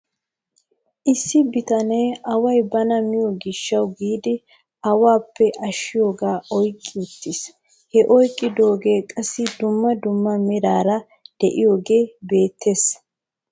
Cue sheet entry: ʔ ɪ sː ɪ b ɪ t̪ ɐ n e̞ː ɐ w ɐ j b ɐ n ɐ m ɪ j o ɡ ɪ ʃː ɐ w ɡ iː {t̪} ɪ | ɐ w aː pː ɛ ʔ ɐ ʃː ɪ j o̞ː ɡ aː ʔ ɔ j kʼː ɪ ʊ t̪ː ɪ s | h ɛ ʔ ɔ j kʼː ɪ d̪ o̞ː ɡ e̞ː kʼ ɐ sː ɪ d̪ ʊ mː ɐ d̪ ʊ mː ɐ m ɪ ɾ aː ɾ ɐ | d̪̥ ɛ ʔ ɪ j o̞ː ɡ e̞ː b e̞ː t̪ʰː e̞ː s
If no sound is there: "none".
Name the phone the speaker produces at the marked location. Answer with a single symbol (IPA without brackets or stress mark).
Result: d̪